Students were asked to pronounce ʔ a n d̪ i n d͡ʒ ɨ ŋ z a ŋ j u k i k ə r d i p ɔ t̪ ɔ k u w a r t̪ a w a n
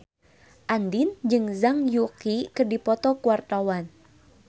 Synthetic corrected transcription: ʔ a n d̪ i n d͡ʒ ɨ ŋ z a ŋ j u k i k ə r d i p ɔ t̪ ɔ k u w a r t̪ a w a n